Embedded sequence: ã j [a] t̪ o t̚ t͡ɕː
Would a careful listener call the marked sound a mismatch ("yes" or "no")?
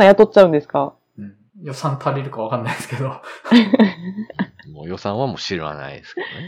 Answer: no